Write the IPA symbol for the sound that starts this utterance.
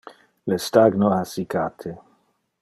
l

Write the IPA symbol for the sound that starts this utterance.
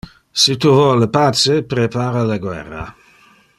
s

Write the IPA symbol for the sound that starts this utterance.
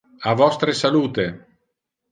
a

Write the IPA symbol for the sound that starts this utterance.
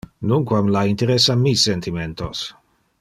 n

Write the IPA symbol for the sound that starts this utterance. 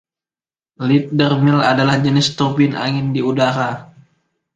l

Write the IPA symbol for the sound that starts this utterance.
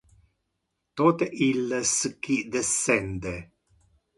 t̪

